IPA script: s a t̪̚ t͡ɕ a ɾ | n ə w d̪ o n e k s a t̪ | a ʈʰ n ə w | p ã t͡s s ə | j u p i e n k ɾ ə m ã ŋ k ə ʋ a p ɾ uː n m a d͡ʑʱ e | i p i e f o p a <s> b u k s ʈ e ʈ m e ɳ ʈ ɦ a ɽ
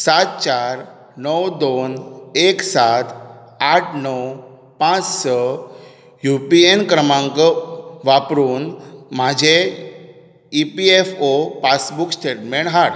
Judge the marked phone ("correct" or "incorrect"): correct